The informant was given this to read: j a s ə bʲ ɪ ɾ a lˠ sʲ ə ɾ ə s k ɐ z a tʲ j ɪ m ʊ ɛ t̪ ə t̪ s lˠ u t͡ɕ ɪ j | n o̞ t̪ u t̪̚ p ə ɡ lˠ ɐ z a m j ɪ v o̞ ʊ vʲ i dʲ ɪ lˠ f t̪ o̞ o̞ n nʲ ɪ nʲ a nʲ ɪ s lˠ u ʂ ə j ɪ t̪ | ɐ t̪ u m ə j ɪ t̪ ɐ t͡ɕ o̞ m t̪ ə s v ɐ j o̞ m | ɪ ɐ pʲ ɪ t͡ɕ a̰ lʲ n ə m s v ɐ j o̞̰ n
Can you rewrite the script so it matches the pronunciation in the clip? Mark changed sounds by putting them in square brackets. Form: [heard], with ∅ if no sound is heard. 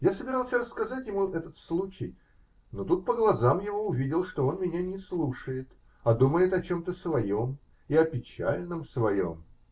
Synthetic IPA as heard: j a s ə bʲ ɪ ɾ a lˠ sʲ ə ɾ ə s k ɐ z a tʲ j ɪ m [u] ɛ t̪ ə t̪ s lˠ u t͡ɕ ɪ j | n o̞ t̪ u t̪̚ p ə ɡ lˠ ɐ z a m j ɪ v o̞ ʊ vʲ i dʲ ɪ lˠ [ʂ] t̪ o̞ o̞ n [mʲ] ɪ nʲ a nʲ ɪ s lˠ u ʂ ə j ɪ t̪ | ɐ [d̪] u m ə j ɪ t̪ ɐ t͡ɕ o̞ m t̪ ə s v ɐ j o̞ m | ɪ ɐ pʲ ɪ t͡ɕ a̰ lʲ n ə m s v ɐ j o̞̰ [m]

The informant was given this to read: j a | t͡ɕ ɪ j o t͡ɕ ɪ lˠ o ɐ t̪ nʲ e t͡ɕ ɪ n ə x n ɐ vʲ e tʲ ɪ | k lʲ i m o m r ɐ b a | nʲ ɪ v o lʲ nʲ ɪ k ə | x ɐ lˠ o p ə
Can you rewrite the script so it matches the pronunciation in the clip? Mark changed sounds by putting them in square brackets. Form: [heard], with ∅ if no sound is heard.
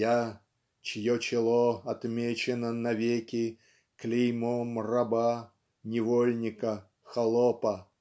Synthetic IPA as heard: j a | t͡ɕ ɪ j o t͡ɕ ɪ lˠ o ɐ t̪ [mʲ] e t͡ɕ ɪ n ə [∅] n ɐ vʲ e [kʲ] ɪ | k lʲ i m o m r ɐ b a | nʲ ɪ v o lʲ nʲ ɪ k ə | x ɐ lˠ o p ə

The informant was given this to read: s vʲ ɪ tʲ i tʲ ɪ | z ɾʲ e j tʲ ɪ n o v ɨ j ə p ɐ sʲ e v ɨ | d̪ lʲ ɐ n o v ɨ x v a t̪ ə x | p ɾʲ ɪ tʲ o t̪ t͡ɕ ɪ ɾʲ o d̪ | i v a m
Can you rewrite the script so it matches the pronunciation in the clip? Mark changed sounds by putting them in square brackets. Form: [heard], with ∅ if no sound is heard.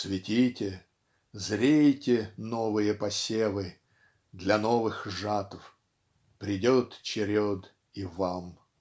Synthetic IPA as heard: s vʲ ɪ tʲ i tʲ ɪ | z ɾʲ e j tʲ ɪ n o v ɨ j ə p ɐ sʲ e v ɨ | d̪ lʲ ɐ n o v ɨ x [ʐ] a t̪ ə [f] | p ɾʲ ɪ [dʲ] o t̪ t͡ɕ ɪ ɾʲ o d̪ | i v a m

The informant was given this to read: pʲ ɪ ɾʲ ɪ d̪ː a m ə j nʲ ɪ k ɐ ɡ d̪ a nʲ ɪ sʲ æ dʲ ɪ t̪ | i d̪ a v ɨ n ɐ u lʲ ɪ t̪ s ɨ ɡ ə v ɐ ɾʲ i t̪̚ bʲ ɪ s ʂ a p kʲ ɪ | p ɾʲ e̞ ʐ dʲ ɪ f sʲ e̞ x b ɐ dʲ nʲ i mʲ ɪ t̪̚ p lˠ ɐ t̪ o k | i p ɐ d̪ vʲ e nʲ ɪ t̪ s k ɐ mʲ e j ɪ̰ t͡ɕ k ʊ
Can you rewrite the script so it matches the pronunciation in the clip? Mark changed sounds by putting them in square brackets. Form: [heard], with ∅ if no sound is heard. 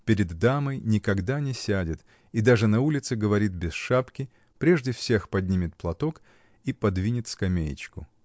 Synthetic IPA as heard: pʲ ɪ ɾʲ ɪ d̪ː a m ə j nʲ ɪ k ɐ ɡ d̪ a nʲ ɪ sʲ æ dʲ ɪ t̪ | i d̪ a [ʐ] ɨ n ɐ u lʲ ɪ t̪ s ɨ ɡ ə v ɐ ɾʲ i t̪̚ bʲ ɪ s ʂ a p kʲ ɪ | p ɾʲ e̞ ʐ dʲ ɪ f sʲ e̞ x [p] ɐ dʲ nʲ i mʲ ɪ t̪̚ p lˠ ɐ t̪ o k | i p ɐ d̪ vʲ [i] nʲ ɪ t̪ s k ɐ mʲ e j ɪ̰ t͡ɕ k ʊ

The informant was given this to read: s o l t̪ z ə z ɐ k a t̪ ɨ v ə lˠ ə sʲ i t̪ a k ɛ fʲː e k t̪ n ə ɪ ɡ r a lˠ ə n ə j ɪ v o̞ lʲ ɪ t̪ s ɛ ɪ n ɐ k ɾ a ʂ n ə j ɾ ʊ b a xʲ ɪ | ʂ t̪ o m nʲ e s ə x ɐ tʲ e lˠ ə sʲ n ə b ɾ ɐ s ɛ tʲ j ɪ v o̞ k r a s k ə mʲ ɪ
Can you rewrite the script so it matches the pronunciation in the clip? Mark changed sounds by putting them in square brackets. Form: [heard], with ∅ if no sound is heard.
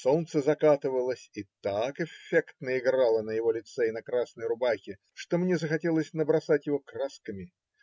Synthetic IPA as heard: s o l t̪ [s] ə z ɐ k a t̪ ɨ v ə lˠ ə sʲ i t̪ a k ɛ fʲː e k t̪ n ə ɪ ɡ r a lˠ ə n ə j ɪ v o̞ lʲ ɪ t̪ s ɛ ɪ n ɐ k ɾ a [s] n ə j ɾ ʊ b a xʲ ɪ | ʂ t̪ o m nʲ e [z] ə x ɐ tʲ e lˠ ə sʲ n ə b ɾ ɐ s [a] tʲ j ɪ v o̞ k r a s k ə mʲ ɪ

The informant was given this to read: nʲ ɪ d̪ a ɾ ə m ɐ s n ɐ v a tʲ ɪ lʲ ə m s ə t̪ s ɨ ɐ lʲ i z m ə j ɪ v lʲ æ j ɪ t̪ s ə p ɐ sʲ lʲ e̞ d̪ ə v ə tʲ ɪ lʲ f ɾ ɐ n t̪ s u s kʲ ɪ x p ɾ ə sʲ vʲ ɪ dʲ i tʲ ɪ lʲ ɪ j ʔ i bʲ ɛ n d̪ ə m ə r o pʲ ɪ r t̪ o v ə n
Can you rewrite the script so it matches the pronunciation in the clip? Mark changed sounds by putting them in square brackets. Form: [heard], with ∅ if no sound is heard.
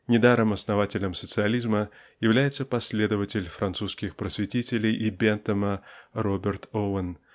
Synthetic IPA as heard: nʲ ɪ d̪ a ɾ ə m ɐ s n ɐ v a tʲ ɪ lʲ ə m s ə t̪ s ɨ ɐ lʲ i z m ə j ɪ v lʲ æ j ɪ t̪ s ə p ɐ sʲ lʲ e̞ d̪ ə v ə tʲ ɪ lʲ f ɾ ɐ n t̪ s u s kʲ ɪ x p ɾ ə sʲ vʲ ɪ [tʲ] i tʲ ɪ lʲ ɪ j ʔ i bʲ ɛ n [t̪] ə m ə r o [bʲ] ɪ r t̪ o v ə n

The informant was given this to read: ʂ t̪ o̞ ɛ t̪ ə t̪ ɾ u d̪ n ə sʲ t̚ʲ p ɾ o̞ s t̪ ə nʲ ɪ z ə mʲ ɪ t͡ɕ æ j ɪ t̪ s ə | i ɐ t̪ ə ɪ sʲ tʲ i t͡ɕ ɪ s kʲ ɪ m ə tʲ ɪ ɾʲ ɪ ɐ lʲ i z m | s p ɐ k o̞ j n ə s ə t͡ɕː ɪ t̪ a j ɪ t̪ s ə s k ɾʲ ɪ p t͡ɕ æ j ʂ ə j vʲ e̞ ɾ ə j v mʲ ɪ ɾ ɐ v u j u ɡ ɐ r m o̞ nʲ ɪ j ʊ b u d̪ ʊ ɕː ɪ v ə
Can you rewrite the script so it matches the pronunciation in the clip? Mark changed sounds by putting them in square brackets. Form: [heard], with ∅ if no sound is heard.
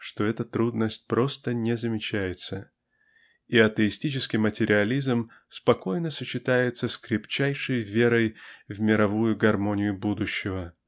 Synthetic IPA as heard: ʂ t̪ o̞ ɛ t̪ ə t̪ ɾ u d̪ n ə sʲ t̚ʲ p ɾ o̞ s t̪ ə nʲ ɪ z ə mʲ ɪ t͡ɕ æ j ɪ t̪ s ə | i ɐ t̪ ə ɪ sʲ tʲ i t͡ɕ ɪ s kʲ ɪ m ə tʲ ɪ ɾʲ ɪ ɐ lʲ i z m | s p ɐ k o̞ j n ə s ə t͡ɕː ɪ t̪ a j ɪ t̪ s ə s k ɾʲ ɪ p t͡ɕ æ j ʂ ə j vʲ e̞ ɾ ə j v mʲ ɪ ɾ ɐ v u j [ʊ] ɡ ɐ r m o̞ nʲ ɪ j ʊ b u d̪ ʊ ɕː ɪ v ə

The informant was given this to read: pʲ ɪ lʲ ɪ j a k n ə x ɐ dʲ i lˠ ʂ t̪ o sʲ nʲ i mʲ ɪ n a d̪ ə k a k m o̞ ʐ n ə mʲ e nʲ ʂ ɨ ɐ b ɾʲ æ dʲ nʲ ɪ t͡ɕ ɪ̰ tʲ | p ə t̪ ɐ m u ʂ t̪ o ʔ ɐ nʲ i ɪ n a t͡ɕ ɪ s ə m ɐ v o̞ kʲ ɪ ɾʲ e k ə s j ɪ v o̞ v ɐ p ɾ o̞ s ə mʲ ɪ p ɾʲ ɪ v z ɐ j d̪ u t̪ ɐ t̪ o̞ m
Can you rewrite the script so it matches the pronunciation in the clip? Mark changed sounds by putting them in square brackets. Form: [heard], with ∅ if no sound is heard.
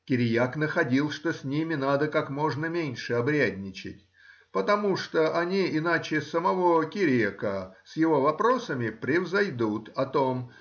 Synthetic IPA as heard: [kʲ] ɪ [ɾʲ] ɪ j a k n ə x ɐ dʲ i lˠ ʂ t̪ o sʲ nʲ i mʲ ɪ n a d̪ ə k a k m o̞ ʐ n ə mʲ e nʲ ʂ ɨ ɐ b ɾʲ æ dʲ nʲ ɪ t͡ɕ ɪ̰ tʲ | p ə t̪ ɐ m u ʂ t̪ o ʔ ɐ nʲ i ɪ n a t͡ɕ ɪ s ə m ɐ v o̞ kʲ ɪ ɾʲ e k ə s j ɪ v o̞ v ɐ p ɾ o̞ s ə mʲ ɪ p ɾʲ ɪ v z ɐ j d̪ u t̪ ɐ t̪ o̞ m

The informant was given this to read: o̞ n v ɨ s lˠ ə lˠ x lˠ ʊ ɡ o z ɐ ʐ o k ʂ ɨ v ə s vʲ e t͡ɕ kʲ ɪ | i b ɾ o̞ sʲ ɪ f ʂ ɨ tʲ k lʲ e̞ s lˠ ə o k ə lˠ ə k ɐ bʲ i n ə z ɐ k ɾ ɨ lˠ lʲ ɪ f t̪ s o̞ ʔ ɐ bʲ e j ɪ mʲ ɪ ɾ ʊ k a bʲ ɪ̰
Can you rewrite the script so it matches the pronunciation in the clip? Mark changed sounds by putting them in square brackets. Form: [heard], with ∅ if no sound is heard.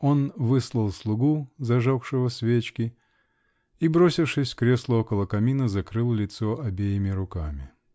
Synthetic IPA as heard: o̞ n v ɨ s lˠ ə lˠ [s] lˠ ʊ ɡ [u] z ɐ ʐ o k ʂ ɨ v ə s vʲ e t͡ɕ kʲ ɪ | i b ɾ o̞ sʲ ɪ f ʂ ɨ [sʲ] k [ɾʲ] e̞ s lˠ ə o k ə lˠ ə k ɐ [mʲ] i n ə z ɐ k ɾ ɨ lˠ lʲ ɪ [∅] t̪ s o̞ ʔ ɐ bʲ e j ɪ mʲ ɪ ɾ ʊ k a [mʲ] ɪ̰

